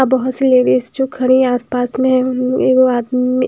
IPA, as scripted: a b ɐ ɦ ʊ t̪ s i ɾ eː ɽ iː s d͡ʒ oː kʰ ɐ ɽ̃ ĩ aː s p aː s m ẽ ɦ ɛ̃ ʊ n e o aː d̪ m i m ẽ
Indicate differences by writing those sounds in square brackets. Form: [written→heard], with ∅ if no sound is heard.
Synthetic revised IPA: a b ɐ ɦ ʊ t̪ s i [ɾ→l] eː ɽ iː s d͡ʒ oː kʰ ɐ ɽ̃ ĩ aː s p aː s m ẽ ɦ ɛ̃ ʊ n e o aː d̪ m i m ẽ